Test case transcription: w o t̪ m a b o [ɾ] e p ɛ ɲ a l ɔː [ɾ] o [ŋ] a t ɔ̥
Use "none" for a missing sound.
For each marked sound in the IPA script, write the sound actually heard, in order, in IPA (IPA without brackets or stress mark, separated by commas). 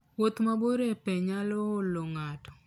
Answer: ɾ, l, ŋ